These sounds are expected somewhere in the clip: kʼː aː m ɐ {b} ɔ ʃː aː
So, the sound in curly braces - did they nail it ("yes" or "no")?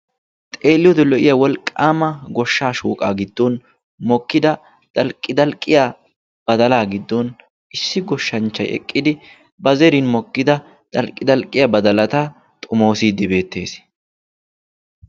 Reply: no